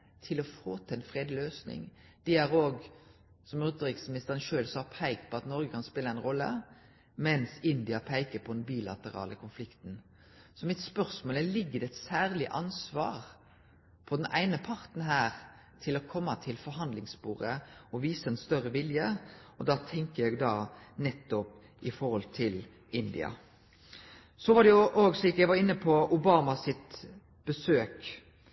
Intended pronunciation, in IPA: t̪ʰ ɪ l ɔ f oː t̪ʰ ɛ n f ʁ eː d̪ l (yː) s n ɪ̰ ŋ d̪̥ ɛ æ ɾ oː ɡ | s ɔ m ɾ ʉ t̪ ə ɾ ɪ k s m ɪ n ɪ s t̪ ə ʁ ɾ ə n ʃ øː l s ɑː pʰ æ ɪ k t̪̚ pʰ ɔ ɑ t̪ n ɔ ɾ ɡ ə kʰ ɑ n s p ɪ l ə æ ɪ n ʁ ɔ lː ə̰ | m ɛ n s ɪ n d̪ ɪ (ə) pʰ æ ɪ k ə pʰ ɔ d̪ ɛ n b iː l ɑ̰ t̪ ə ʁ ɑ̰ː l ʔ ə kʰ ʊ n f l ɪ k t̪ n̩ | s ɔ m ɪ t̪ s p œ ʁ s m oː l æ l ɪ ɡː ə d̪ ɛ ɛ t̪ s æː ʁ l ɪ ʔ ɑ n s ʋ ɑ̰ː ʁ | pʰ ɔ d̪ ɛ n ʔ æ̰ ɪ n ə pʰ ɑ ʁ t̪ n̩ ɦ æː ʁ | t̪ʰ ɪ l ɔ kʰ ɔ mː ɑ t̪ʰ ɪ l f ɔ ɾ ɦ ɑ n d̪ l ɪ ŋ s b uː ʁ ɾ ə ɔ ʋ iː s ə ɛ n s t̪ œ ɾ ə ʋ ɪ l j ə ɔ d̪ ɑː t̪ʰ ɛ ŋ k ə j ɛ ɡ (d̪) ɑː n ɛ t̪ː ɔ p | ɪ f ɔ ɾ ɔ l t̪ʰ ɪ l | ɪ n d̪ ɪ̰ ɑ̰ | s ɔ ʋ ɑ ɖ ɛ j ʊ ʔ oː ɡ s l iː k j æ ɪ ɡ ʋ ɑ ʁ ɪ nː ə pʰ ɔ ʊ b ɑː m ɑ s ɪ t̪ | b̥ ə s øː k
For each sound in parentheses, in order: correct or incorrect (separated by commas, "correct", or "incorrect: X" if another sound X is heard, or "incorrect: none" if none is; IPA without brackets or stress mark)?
incorrect: øː, incorrect: ɑ, correct